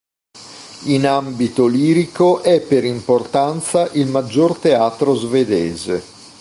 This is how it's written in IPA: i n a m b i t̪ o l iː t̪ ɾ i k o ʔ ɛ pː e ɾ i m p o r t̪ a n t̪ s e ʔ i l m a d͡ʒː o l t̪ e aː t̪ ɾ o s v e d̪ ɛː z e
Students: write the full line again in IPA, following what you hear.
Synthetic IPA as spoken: i n a m b i t̪ o l iː ɾ i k o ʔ ɛ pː e ɾ i m p o r t̪ a n t̪ s a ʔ i l m a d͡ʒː o r t̪ e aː t̪ ɾ o z v e d̪ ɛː z e